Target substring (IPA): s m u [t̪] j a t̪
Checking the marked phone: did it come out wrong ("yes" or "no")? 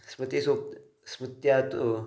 no